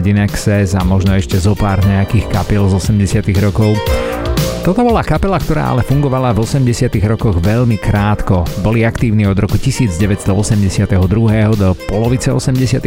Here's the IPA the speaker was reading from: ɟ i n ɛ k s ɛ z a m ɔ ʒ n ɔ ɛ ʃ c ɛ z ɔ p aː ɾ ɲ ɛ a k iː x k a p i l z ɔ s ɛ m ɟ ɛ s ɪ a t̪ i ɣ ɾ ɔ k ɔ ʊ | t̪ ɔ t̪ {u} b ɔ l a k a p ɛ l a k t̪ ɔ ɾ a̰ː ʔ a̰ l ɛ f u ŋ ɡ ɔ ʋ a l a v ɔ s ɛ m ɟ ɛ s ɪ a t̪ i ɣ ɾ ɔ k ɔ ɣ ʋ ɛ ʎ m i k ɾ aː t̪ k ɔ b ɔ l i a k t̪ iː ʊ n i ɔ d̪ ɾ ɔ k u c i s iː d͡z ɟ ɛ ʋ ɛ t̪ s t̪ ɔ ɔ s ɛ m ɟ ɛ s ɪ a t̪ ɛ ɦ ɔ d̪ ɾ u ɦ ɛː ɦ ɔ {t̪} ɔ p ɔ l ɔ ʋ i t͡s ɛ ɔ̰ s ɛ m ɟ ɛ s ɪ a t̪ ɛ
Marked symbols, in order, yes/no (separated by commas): no, no